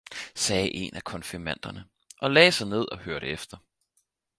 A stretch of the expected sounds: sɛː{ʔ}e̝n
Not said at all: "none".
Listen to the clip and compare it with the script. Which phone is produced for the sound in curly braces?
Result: ʔ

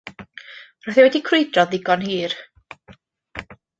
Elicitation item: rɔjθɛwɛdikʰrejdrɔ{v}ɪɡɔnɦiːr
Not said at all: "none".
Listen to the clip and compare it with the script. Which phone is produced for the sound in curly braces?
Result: ð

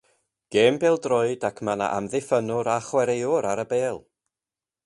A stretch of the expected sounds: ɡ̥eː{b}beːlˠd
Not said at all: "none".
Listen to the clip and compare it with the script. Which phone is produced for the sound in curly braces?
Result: m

